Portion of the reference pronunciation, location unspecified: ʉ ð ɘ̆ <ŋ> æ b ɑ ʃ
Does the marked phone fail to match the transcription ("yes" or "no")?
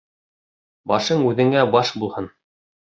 no